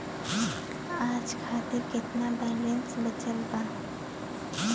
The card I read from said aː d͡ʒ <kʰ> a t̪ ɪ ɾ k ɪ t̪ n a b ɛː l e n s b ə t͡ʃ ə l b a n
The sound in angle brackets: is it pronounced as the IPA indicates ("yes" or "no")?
yes